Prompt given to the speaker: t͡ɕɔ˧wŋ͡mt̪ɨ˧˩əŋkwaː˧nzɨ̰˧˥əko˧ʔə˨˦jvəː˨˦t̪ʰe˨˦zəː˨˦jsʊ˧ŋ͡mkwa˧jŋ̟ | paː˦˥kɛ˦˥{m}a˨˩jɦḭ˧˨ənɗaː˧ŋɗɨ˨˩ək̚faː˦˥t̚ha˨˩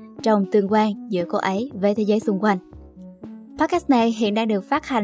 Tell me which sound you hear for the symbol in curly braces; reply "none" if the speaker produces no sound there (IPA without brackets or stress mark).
n